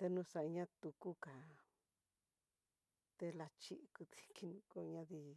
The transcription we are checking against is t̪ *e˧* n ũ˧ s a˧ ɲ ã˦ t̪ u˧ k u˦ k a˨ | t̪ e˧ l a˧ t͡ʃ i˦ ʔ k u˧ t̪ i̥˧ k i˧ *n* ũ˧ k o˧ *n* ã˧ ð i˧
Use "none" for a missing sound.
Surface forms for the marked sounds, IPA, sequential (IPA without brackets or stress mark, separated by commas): e˧, n, ɲ